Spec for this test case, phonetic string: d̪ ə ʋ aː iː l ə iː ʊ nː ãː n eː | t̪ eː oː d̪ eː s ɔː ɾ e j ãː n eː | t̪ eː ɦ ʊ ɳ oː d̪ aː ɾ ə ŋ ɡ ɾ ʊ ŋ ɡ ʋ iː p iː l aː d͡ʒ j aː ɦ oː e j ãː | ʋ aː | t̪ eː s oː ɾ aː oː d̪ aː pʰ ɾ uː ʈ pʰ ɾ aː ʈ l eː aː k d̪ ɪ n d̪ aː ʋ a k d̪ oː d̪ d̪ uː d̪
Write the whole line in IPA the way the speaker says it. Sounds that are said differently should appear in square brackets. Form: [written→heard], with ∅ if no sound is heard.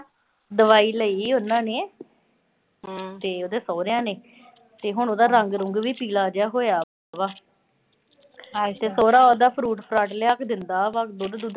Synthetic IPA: d̪ ə ʋ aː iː l ə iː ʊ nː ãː n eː | t̪ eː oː d̪ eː s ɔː ɾ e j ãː n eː | t̪ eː ɦ ʊ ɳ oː d̪ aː ɾ ə ŋ ɡ ɾ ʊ ŋ ɡ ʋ iː p iː l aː d͡ʒ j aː ɦ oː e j [ãː→aː] | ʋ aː | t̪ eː s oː ɾ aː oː d̪ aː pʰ ɾ uː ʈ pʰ ɾ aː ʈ l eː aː k d̪ ɪ n d̪ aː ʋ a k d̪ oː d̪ d̪ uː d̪